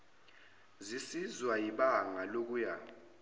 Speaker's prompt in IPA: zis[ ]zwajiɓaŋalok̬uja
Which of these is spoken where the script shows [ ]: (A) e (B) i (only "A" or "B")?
B